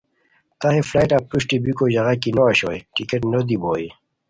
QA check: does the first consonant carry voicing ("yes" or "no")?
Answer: no